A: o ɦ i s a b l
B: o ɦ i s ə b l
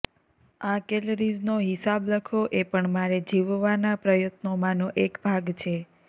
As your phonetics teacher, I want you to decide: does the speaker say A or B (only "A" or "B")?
A